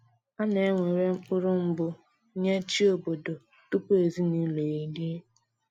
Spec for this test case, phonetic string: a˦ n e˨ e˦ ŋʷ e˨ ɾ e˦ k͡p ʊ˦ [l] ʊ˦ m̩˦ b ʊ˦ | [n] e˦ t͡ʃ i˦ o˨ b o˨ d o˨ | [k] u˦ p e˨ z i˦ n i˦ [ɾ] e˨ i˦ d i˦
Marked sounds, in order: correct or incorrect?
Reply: incorrect: ɾ, incorrect: ɲ, incorrect: t, incorrect: l

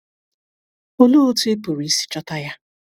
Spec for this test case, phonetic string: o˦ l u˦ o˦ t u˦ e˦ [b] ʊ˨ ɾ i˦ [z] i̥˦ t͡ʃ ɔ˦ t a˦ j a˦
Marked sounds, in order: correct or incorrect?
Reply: incorrect: p, incorrect: s

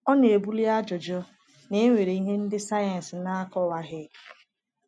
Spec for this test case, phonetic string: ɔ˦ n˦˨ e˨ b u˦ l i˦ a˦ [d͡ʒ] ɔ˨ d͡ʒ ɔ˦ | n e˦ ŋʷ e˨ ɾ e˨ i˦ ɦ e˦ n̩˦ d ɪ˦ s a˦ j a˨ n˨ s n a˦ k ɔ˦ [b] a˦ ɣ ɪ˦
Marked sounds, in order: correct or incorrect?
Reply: correct, incorrect: w

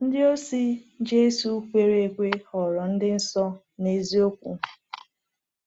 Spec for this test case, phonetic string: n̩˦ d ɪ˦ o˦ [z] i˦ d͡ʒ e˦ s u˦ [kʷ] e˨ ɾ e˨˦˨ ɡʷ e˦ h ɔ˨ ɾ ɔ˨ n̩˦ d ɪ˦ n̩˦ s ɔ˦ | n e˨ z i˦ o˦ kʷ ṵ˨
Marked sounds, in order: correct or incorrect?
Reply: incorrect: s, correct

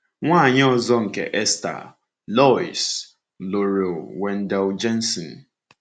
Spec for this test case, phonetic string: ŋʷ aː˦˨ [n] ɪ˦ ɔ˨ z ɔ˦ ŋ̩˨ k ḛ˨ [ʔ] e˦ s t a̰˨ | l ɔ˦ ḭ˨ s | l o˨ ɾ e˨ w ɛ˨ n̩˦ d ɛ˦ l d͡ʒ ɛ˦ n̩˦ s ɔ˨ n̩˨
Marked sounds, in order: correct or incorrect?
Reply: incorrect: ɲ, correct

